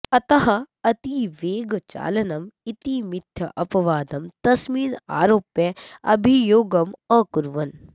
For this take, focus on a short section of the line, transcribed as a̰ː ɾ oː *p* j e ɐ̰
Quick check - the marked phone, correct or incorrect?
correct